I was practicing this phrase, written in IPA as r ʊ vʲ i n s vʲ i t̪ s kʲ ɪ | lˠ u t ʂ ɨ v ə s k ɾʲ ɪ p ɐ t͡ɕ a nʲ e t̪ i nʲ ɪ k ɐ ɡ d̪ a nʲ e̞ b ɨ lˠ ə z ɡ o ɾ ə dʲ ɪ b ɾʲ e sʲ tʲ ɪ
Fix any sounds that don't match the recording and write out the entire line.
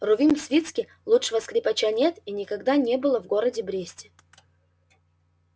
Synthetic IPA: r ʊ vʲ i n s vʲ i t̪ s kʲ ɪ | lˠ u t ʂ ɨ v ə s k ɾʲ ɪ p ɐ t͡ɕ a nʲ e t̪ i nʲ ɪ k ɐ ɡ d̪ a nʲ e̞ b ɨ lˠ ə v ɡ o ɾ ə dʲ ɪ b ɾʲ e sʲ tʲ ɪ